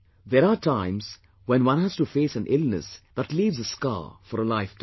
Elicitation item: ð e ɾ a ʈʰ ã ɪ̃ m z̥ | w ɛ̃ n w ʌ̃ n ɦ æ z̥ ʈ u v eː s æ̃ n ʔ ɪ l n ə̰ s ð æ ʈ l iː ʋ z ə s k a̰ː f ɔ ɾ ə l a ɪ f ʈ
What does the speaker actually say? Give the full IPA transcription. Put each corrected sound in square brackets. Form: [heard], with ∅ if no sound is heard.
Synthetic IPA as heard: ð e ɾ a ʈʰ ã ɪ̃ m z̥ | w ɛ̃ n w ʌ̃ n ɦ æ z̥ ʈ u [f] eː s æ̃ n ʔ ɪ l n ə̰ s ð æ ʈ l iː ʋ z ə s k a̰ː f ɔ ɾ ə l a ɪ f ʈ